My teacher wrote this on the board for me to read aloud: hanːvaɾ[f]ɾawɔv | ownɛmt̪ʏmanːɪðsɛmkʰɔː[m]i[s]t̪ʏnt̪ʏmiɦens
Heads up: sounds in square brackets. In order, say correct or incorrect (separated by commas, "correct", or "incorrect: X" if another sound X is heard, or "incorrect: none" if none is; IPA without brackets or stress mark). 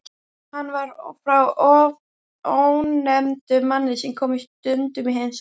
correct, correct, correct